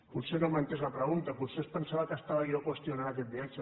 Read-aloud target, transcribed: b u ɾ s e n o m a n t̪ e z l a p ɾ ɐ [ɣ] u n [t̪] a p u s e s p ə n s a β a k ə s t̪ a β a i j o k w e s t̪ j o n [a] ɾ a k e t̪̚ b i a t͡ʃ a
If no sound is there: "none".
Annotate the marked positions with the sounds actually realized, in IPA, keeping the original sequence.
ɣ, t̪, a

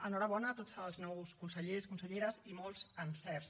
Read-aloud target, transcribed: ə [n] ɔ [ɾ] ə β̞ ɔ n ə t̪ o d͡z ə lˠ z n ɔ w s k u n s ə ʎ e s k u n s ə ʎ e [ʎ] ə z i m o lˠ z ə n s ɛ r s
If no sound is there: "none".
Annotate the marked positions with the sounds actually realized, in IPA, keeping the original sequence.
n, ɾ, ɾ

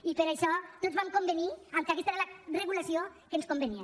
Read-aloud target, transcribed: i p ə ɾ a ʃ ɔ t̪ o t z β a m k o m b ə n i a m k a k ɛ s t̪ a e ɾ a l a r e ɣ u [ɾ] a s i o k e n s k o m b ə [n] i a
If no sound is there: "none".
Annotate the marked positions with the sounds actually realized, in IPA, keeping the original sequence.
l, n

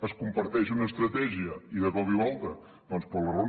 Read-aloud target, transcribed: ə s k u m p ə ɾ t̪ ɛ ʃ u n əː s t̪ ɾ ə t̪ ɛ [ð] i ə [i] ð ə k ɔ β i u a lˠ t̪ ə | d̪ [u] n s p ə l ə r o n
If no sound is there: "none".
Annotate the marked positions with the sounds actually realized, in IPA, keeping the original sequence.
ʒ, i, ɔ

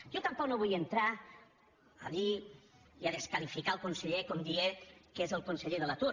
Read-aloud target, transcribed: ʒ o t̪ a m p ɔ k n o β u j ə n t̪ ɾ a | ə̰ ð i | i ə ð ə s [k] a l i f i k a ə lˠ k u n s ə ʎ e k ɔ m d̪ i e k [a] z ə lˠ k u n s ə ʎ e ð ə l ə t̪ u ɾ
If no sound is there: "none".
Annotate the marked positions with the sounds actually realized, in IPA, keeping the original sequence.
k, e

